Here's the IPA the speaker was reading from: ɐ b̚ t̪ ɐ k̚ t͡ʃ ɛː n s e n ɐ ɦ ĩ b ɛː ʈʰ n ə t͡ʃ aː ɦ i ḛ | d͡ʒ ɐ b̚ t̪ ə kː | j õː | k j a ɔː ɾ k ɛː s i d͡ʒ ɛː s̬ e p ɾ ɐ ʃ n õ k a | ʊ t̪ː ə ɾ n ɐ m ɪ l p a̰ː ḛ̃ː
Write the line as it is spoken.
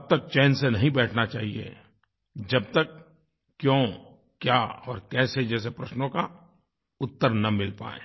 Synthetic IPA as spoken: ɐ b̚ t̪ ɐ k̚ t͡ʃ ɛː n s e n ɐ ɦ ĩ b ɛː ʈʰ n a t͡ʃ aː ɦ i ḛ | d͡ʒ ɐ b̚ t̪ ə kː | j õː | k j a ɔː ɾ k ɛː s e d͡ʒ ɛː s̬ e p ɾ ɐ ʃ n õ k a | ʊ t̪ː ə ɾ n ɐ m ɪ l p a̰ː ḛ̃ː